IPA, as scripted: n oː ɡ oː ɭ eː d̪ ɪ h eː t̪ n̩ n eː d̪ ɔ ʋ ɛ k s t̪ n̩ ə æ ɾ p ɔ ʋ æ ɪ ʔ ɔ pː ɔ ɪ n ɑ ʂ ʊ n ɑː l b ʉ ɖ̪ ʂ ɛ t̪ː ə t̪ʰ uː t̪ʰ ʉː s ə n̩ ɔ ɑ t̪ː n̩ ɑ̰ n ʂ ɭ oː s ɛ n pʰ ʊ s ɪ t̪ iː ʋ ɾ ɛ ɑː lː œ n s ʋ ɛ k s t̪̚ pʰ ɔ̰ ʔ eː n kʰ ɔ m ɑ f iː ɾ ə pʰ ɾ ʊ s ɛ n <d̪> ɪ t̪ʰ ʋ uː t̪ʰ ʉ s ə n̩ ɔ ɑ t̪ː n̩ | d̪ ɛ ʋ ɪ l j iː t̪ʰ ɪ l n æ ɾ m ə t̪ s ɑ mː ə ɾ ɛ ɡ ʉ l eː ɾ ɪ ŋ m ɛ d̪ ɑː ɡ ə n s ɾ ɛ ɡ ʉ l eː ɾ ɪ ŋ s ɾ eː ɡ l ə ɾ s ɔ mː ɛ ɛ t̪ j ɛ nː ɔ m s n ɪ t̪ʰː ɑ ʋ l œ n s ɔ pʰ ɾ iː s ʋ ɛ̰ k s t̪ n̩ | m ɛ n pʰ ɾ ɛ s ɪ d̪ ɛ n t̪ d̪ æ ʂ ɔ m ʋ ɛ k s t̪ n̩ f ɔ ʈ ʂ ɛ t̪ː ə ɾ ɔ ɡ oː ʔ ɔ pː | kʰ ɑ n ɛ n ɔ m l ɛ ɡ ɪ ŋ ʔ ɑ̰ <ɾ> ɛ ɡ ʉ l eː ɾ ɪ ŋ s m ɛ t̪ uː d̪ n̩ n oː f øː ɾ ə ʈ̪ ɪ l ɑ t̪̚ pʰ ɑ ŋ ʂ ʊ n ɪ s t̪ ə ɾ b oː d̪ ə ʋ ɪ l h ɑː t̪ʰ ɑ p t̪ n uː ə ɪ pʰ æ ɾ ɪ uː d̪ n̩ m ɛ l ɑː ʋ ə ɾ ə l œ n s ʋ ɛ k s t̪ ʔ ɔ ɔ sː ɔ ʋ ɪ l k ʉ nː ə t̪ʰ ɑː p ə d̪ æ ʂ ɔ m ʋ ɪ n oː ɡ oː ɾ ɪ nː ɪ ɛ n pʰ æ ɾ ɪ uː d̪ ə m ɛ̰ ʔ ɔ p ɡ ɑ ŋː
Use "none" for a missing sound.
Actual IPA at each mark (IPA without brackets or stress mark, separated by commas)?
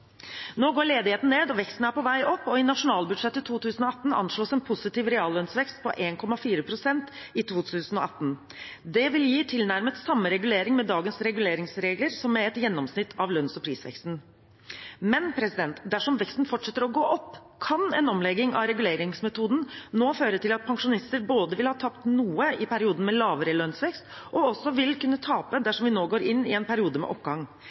t̪, ɾ